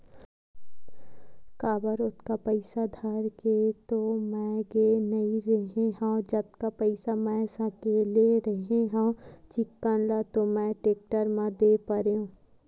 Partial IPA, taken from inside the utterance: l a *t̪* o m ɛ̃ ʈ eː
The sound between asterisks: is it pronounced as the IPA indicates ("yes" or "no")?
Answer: yes